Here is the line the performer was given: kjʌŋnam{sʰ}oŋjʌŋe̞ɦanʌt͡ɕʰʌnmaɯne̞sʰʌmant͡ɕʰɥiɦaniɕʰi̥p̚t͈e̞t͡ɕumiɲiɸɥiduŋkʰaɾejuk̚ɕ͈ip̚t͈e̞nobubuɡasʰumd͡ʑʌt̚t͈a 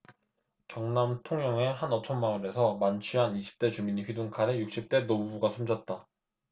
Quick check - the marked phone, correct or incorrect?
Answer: incorrect: tʰ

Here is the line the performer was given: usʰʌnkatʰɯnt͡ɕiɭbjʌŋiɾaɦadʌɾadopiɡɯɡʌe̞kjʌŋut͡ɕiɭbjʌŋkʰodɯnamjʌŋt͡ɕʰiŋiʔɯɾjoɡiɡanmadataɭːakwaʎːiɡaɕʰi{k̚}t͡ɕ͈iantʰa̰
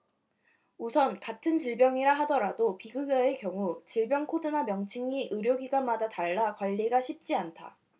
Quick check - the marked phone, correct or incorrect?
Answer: incorrect: p̚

